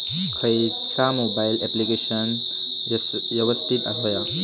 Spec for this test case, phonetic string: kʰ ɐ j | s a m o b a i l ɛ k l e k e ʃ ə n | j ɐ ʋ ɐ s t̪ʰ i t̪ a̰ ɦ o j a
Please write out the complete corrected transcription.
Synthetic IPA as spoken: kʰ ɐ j | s a m o b a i l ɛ p l i k e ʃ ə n | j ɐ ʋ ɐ s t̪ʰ i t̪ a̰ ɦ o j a